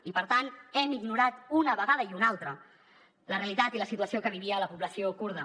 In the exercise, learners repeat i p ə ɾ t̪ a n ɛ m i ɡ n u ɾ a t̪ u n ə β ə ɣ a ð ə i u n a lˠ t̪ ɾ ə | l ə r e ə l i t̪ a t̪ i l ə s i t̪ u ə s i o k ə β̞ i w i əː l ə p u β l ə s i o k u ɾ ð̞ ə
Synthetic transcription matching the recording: i p ə ɾ t̪ a n ɛ m i ɡ n u ɾ a t̪ u n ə β ə ɣ a ð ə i u n a lˠ t̪ ɾ ə | l ə r e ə l i t̪ a t̪ i l ə s i t̪ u ə s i o k ə β̞ i β i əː l ə p u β l ə s i o k u ɾ ð̞ ə

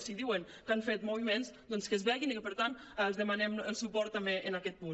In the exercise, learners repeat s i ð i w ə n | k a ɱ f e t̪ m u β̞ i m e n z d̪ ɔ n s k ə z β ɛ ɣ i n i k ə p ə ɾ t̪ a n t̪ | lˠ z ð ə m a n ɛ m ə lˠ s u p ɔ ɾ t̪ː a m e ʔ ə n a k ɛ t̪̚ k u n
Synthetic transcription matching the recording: s i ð i w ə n | k a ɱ f e t̪ m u β̞ i m e n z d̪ ɔ n s k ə z β ɛ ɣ i n i k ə p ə ɾ t̪ a n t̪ | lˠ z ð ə m a n ɛ m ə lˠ s u p ɔ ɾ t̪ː a m e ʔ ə n a k ɛ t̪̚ p u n

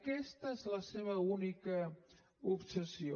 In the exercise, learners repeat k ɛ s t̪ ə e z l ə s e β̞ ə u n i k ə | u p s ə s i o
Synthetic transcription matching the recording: k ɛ s t̪ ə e z l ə s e β̞ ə u n i k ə | u p s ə s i o

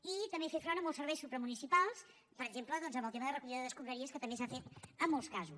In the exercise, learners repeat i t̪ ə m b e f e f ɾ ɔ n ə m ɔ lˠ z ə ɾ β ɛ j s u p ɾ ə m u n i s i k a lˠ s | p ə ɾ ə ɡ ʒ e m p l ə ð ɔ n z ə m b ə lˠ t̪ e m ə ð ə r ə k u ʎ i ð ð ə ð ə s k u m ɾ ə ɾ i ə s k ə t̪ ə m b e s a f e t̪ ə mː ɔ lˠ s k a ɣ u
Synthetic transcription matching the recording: i t̪ ə m b e f e f ɾ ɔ n ə m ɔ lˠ s ə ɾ β ɛ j s u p ɾ ə m u n i s i p a lˠ s | p ə ɾ ə ɡ ʒ e m p l ə ð ɔ n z ə m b ə lˠ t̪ e m ə ð ə r ə k u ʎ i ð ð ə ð ə s k u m ɾ ə ɾ i ə s k ə t̪ ə m b e s a f e t̪ ə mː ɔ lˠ s k a z u

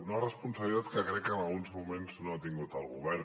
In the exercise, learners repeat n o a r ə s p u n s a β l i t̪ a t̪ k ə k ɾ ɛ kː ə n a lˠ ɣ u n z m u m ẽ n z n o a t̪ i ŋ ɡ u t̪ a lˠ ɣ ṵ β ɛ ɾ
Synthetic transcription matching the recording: n o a r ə s p u n s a β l i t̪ a t̪ k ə k ɾ ɛ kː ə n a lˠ ɣ u n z m u m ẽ n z n o a t̪ i ŋ ɡ u t̪ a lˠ ɣ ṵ β ɛ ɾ

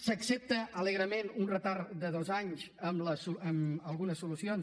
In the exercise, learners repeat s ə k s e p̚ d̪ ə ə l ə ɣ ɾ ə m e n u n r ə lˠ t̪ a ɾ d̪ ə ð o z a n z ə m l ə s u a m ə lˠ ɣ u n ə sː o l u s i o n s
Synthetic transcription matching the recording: s ə k s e p̚ t̪ ə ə l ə ɣ ɾ ə m e n u n r ə t̪ a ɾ d̪ ə ð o z a ɲ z ə m l ə s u ə m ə lˠ ɣ u n ə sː u l u s i o n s

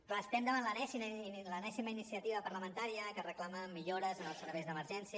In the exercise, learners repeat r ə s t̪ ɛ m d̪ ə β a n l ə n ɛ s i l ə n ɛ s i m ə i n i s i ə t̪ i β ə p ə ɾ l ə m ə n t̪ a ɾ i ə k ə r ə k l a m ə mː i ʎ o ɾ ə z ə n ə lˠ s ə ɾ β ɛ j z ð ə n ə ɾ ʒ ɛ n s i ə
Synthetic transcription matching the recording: r ə s t̪ ɛ m d̪ ə β a n l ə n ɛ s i l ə n ɛ s i m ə i n i s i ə t̪ i β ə p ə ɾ l ə m ə n t̪ a ɾ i ə k ə r ə k l a m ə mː i ʎ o ɾ ə z ə n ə lˠ s ə ɾ β ɛ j z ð ə m ə ɾ ʒ ɛ n s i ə

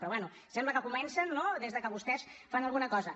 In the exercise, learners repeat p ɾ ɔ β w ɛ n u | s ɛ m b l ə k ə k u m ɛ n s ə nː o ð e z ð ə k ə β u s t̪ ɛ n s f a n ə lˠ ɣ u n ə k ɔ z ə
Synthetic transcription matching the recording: p ɾ ɔ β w ɛ n u | s ɛ m b l ə k ə k u m ɛ n s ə nː o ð e z ð ə k ə β u s t̪ ɛ s f a n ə lˠ ɣ u n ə k ɔ z ə

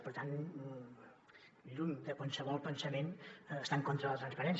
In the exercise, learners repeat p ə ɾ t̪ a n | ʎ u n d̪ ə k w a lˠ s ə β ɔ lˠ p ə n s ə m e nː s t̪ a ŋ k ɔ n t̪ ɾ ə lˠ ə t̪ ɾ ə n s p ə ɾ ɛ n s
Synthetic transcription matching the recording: p ə ɾ t̪ a n | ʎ u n d̪ ə k w a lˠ s ə β ɔ lˠ p ə n s ə m e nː s t̪ a ŋ k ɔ n t̪ ɾ ə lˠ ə t̪ ɾ ə n s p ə ɾ ɛ n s

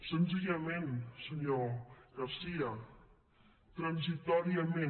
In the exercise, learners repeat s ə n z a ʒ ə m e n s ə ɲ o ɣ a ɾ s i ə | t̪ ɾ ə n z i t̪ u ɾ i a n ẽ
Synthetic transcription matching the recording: s ə n z i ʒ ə m e n s ə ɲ o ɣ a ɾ s i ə | t̪ ɾ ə n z i t̪ ɔ ɾ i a m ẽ

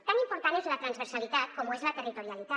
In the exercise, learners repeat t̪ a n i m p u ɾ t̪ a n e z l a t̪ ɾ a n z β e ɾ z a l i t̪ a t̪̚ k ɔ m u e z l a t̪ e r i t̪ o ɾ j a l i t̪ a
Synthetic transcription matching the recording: t̪ a n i m p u ɾ t̪ a n e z l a t̪ ɾ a n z β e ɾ s a l i t̪ a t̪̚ k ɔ m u e z l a t̪ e r i t̪ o ɾ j a l i t̪ a

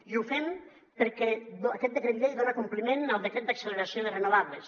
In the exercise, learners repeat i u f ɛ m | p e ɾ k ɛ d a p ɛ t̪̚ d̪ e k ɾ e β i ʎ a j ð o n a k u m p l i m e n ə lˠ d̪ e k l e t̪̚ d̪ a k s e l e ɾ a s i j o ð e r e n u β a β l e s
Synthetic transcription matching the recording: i u f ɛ m | p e ɾ k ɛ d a k ɛ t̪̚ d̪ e k ɾ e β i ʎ e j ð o n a k u m p l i m e n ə lˠ d̪ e k ɾ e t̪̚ d̪ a k s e l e ɾ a s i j o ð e r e n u β a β l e s

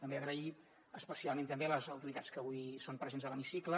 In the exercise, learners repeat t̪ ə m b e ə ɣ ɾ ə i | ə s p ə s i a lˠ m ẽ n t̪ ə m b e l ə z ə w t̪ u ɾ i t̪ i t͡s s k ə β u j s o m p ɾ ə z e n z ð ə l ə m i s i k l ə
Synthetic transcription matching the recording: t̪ ə m b e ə ɣ ɾ ə i | ə s p ə s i a lˠ m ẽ n t̪ ə m b e l ə z ə w t̪ u ɾ i t̪ a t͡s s k ə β u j s o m p ɾ ə z e n z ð ə l ə m i s i k l ə

